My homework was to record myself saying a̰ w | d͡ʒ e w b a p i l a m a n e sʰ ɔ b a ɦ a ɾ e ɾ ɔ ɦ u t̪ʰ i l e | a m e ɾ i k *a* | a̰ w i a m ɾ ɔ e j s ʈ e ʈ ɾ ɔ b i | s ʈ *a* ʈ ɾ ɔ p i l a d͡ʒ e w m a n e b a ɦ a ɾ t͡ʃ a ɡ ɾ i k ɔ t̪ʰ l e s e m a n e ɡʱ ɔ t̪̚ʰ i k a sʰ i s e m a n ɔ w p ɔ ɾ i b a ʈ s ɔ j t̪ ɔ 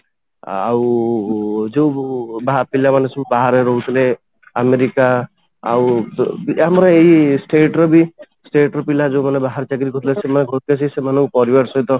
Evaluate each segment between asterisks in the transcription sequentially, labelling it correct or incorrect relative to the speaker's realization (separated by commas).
correct, incorrect